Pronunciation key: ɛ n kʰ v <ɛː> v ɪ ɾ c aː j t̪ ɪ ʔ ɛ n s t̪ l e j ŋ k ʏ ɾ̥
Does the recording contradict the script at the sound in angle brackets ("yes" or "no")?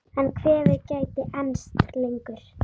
no